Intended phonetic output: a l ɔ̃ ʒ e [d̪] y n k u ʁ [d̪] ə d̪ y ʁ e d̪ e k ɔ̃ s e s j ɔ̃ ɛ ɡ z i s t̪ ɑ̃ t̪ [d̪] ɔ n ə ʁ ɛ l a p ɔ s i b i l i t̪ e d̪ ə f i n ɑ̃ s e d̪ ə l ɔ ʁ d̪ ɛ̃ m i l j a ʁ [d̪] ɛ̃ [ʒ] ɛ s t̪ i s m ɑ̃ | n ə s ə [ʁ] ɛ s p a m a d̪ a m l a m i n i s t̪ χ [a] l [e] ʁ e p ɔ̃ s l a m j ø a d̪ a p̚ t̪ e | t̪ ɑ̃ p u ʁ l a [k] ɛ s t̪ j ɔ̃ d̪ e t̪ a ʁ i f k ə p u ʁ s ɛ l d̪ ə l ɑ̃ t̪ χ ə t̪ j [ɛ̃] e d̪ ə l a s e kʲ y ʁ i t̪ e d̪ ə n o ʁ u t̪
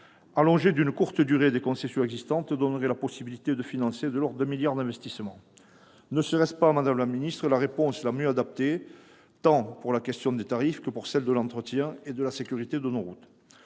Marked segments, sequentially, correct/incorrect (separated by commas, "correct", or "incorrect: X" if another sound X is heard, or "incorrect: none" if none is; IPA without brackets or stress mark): correct, incorrect: t̪, correct, correct, incorrect: v, correct, incorrect: ə, incorrect: a, correct, correct